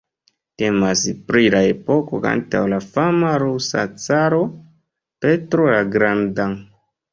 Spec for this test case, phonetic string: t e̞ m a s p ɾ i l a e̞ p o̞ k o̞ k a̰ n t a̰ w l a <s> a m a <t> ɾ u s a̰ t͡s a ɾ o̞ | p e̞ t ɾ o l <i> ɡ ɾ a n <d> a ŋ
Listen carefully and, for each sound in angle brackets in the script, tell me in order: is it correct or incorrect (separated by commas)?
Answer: incorrect, incorrect, incorrect, correct